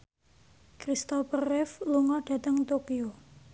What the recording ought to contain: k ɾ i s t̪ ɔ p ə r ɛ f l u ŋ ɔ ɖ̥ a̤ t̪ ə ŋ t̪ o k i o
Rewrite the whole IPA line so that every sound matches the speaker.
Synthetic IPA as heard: k ɾ i s t̪ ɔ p ə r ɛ f l u ŋ ɔ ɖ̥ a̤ t̪ ə ŋ t̪ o k i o